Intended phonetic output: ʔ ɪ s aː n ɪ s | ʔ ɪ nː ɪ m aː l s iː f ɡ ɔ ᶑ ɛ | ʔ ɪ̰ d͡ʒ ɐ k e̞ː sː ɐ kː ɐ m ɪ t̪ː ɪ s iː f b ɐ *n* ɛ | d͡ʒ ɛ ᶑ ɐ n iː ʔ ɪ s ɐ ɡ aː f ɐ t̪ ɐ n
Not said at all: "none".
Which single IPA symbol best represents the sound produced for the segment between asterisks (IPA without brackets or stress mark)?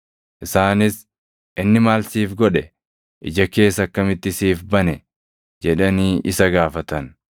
n